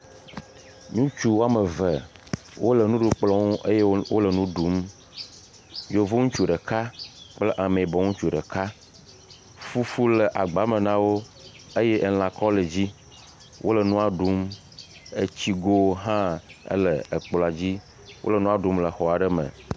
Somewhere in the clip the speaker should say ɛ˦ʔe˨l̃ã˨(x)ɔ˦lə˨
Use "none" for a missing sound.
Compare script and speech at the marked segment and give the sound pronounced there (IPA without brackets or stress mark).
k